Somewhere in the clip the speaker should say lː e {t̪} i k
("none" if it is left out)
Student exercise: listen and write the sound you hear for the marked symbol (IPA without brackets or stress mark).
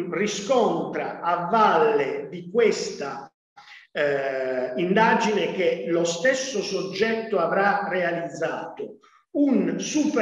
d̪